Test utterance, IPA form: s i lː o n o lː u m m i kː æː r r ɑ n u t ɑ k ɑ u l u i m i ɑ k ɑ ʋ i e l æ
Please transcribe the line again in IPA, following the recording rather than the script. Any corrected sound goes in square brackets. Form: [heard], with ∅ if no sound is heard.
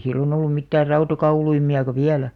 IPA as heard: s i lː o n o lː u m m i [tː] æː r r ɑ [∅] u t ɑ k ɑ u l u i m i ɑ k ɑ ʋ i [æ] l æ